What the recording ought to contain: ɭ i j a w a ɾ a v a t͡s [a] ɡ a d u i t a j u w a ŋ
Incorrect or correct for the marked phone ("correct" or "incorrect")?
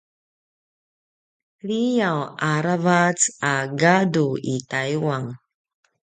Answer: correct